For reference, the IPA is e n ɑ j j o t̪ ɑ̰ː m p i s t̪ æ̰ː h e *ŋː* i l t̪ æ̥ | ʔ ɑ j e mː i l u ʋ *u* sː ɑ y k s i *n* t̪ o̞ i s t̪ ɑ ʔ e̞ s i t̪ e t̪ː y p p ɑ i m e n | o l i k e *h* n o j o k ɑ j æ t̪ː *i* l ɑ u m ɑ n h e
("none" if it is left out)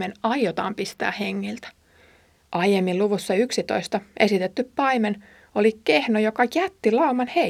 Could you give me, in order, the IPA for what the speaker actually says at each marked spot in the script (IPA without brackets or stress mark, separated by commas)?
ŋː, u, none, h, i